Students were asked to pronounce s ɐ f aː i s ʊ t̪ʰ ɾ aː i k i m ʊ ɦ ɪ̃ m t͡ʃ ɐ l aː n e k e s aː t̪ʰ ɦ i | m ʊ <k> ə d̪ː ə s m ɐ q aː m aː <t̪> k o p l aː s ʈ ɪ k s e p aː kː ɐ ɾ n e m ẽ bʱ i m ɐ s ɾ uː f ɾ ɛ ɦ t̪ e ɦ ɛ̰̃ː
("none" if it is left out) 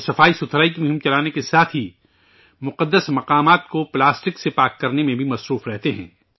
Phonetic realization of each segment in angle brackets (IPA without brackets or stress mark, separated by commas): q, t̪